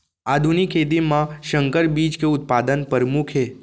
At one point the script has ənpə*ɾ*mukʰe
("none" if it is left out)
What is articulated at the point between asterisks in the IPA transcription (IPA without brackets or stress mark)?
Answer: ɾ